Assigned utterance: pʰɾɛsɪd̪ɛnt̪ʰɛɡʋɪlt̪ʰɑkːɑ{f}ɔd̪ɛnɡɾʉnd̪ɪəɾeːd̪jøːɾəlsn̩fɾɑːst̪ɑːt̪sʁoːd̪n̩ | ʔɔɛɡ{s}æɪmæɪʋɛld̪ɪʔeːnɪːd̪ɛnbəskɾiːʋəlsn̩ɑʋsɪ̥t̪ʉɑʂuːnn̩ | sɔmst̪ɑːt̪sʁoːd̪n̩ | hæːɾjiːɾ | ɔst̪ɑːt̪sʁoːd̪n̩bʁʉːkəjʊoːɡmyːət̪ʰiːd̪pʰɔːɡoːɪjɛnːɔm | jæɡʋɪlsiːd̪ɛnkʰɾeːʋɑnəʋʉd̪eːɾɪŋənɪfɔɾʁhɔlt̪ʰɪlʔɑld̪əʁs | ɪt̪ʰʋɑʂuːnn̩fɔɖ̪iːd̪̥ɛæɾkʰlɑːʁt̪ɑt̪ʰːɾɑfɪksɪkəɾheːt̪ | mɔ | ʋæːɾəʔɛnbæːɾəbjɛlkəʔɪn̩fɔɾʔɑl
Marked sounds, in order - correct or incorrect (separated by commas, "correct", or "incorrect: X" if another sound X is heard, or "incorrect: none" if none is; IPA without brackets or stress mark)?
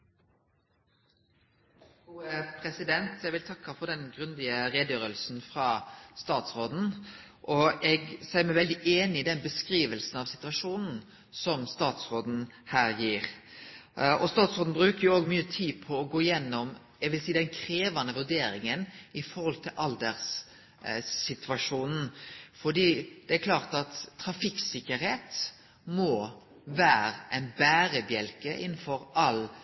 correct, correct